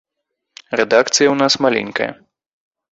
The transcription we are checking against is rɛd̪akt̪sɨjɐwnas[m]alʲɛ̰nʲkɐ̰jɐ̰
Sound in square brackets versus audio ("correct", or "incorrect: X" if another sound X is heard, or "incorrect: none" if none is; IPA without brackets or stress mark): correct